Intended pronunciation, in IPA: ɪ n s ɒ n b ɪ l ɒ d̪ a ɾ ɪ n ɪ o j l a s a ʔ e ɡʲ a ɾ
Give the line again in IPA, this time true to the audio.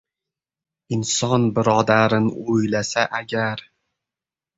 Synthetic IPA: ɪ n s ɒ n b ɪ ɾ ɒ d̪ a ɾ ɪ n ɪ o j l a s a ʔ a ɡʲ a ɾ